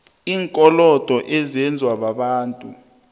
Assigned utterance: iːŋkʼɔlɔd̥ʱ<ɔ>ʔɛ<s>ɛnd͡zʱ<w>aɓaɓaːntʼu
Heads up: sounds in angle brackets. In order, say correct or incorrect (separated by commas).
correct, incorrect, correct